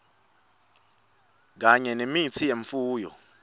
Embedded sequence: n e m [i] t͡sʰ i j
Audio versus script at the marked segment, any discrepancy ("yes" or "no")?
no